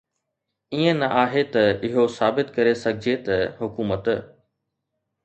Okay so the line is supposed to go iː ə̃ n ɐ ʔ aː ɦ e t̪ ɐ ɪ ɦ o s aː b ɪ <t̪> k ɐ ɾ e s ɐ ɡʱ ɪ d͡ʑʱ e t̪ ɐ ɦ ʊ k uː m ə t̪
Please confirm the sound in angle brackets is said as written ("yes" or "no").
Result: yes